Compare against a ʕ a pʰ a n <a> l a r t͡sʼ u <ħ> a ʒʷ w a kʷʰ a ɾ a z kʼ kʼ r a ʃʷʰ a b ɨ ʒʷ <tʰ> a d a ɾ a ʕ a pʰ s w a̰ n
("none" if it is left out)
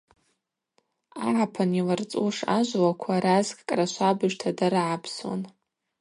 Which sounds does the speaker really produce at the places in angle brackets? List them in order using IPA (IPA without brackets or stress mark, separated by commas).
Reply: i, ʂ, tʰ